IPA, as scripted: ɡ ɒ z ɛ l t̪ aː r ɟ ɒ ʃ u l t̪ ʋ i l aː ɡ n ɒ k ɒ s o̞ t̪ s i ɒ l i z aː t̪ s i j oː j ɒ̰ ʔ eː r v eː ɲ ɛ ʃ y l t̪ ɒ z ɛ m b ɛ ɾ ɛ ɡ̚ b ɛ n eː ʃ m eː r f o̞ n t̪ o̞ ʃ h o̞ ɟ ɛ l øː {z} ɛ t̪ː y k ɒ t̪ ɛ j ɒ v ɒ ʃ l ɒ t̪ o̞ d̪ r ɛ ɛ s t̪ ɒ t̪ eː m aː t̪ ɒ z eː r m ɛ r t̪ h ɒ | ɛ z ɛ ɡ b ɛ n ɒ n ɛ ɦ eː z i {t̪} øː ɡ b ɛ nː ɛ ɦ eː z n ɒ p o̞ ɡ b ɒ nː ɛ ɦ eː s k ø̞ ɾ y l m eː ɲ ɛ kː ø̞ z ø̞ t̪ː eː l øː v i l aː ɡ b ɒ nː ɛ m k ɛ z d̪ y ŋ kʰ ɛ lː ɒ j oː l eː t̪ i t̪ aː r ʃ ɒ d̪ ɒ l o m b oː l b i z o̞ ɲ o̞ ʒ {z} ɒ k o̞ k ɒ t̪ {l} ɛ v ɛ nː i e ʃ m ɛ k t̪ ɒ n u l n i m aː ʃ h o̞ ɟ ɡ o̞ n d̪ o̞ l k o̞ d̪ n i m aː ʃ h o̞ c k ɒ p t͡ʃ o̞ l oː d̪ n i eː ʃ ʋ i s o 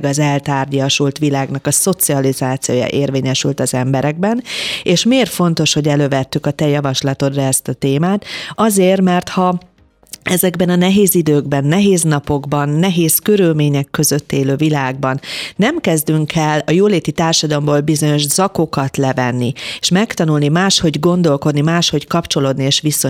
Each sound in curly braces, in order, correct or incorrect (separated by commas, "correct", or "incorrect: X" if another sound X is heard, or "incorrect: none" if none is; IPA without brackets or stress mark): incorrect: v, incorrect: d̪, correct, correct